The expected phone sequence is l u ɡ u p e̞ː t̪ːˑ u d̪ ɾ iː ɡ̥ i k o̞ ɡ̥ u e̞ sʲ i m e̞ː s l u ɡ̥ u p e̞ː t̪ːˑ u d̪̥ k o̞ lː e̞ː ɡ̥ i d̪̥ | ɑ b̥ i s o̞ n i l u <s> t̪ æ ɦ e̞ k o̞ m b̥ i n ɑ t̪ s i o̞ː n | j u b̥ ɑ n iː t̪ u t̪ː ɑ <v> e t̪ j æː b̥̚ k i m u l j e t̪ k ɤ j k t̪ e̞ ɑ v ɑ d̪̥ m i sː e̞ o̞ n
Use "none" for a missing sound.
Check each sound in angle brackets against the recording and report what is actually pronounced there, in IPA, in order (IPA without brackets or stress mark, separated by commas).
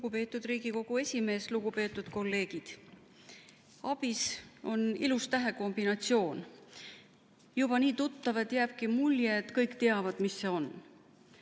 s, v